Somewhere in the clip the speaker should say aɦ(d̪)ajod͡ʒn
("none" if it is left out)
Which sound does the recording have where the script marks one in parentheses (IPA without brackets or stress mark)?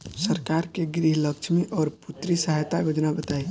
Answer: t̪